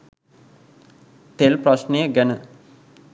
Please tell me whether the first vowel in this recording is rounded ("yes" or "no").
no